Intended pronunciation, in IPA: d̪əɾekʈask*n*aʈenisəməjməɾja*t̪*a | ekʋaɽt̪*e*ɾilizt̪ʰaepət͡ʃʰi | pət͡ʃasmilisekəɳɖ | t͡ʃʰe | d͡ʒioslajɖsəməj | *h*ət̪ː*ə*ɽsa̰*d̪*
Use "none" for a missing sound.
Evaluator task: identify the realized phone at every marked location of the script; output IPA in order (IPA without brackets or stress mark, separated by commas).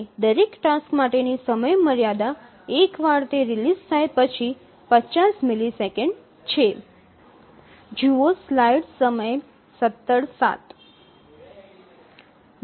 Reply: m, d̪, e, s, ə, t̪